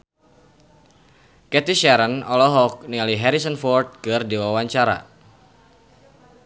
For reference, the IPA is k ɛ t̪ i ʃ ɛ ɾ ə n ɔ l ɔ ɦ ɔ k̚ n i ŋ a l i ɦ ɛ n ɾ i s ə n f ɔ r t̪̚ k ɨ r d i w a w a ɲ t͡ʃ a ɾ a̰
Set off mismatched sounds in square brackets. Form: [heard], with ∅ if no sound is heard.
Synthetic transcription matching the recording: k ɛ t̪ i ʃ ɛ ɾ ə n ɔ l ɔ ɦ ɔ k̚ n i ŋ a l i ɦ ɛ [∅] ɾ i s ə n f ɔ r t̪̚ k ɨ r d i w a w a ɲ t͡ʃ a ɾ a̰

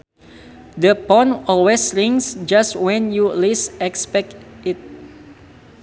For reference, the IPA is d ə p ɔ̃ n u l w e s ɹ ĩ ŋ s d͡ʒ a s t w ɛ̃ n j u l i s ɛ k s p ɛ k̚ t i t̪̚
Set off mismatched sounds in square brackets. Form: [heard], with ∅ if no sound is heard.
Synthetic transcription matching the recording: d ə p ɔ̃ n [ɔ] l w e s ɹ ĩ ŋ s d͡ʒ a s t w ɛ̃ n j u l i s ɛ k s p ɛ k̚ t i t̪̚

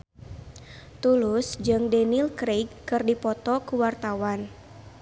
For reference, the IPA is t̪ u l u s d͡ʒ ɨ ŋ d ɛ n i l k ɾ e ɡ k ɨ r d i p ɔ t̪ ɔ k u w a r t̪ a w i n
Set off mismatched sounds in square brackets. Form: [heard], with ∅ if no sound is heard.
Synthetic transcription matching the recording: t̪ u l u s d͡ʒ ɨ ŋ d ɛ n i l k ɾ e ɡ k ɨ r d i p ɔ t̪ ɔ k u w a r t̪ a w [a] n

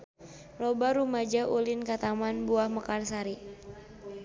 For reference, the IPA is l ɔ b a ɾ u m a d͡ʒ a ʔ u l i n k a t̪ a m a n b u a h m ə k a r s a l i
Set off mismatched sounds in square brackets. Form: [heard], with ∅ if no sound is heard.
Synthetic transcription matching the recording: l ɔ b a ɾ u m a d͡ʒ a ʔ u l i n k a t̪ a m a n b u a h m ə k a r s a [ɾ] i

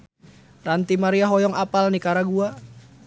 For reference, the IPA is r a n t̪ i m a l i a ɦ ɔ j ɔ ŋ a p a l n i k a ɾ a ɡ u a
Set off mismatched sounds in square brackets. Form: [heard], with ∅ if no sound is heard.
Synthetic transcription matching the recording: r a n t̪ i m a [ɾ] i a ɦ ɔ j ɔ ŋ a p a l n i k a ɾ a ɡ u a

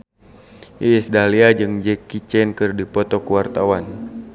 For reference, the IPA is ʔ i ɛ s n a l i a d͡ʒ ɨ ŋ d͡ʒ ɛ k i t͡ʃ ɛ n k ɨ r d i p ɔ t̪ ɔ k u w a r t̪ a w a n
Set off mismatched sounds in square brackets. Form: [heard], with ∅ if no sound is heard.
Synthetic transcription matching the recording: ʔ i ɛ s [d] a l i a d͡ʒ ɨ ŋ d͡ʒ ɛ k i t͡ʃ ɛ n k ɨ r d i p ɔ t̪ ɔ k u w a r t̪ a w a n

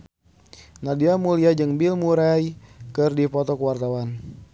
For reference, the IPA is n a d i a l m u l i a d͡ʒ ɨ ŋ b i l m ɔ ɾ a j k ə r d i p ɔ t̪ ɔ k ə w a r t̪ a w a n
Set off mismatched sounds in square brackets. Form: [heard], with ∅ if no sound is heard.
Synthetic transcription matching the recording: n a d i a [∅] m u l i a d͡ʒ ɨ ŋ b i l m [u] ɾ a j k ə r d i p ɔ t̪ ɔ k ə w a r t̪ a w a n

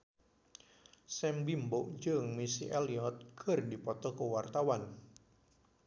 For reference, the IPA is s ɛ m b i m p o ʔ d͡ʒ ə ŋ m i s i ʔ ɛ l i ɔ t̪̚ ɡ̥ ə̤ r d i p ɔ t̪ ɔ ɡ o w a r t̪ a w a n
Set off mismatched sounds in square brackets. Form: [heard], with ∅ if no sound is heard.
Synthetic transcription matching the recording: s ɛ m b i m [b] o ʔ d͡ʒ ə ŋ m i s i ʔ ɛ l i ɔ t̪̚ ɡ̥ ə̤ r d i p ɔ t̪ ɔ [k] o w a r t̪ a w a n

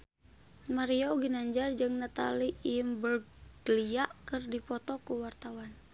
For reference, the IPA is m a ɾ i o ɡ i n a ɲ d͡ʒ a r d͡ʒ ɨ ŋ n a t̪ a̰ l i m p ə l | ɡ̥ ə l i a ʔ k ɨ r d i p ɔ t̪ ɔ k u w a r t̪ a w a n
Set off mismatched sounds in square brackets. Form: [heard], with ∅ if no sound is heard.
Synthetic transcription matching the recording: m a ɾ i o ɡ i n a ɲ d͡ʒ a r d͡ʒ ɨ ŋ n a t̪ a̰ l i m [b] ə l | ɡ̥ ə l i a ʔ k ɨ r d i p ɔ t̪ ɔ k u w a r t̪ a w a n

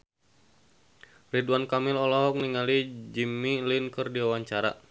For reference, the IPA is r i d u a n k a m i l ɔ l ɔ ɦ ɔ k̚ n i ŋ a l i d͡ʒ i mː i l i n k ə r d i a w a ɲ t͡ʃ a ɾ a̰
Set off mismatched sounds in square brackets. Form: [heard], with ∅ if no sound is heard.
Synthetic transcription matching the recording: r i d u a n k a m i l ɔ l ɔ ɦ ɔ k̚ n i ŋ a l i d͡ʒ i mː i l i n k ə r d i a w a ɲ t͡ʃ a ɾ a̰

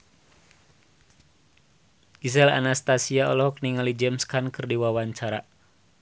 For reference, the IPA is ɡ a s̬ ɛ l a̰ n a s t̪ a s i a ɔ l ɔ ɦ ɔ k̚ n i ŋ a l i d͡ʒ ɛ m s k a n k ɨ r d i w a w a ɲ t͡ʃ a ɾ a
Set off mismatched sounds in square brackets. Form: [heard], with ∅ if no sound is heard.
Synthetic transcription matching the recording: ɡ [i] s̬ ɛ l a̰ n a s t̪ a s i a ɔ l ɔ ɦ ɔ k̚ n i ŋ a l i d͡ʒ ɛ m s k a n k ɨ r d i w a w a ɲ t͡ʃ a ɾ a

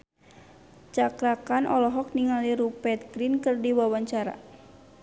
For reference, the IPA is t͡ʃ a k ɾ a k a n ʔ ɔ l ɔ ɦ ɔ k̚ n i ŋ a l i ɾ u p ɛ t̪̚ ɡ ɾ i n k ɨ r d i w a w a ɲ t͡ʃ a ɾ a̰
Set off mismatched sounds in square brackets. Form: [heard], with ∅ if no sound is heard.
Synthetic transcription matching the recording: t͡ʃ a k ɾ a k a n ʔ ɔ l ɔ ɦ ɔ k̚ n i ŋ a l i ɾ u p ɛ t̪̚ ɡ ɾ i n k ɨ r d i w a w a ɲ t͡ʃ a ɾ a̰

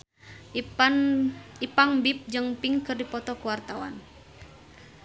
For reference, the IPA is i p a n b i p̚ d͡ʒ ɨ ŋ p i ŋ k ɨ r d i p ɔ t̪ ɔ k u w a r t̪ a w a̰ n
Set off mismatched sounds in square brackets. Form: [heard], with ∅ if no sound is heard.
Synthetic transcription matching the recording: i p a [ŋ] b i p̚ d͡ʒ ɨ ŋ p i ŋ k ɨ r d i p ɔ t̪ ɔ k u w a r t̪ a w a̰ n

